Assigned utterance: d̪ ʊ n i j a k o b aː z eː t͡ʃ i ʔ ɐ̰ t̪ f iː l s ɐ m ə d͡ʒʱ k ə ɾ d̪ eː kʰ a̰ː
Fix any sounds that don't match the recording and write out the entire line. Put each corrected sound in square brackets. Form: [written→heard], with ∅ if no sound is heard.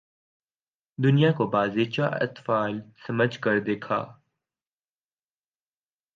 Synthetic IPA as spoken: d̪ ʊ n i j a k o b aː z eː t͡ʃ [i→a] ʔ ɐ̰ t̪ f [iː→aː] l s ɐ m ə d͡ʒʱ k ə ɾ d̪ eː kʰ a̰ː